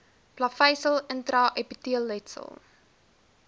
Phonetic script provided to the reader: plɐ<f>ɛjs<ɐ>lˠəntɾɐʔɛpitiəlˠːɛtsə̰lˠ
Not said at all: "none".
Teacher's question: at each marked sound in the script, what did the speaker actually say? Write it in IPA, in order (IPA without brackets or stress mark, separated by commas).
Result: f, ə